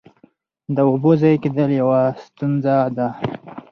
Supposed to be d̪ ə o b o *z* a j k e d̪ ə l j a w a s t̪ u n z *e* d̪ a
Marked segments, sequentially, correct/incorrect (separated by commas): correct, incorrect